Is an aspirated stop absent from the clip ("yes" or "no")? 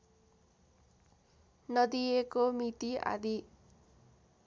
yes